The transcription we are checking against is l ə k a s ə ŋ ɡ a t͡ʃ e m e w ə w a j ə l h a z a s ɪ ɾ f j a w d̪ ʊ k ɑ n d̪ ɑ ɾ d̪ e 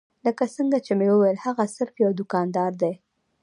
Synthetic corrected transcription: l ə k a s ə ŋ ɡ a t͡ʃ e m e w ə w a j ə l h a ɣ a s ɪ ɾ f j a w d̪ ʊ k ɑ n d̪ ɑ ɾ d̪ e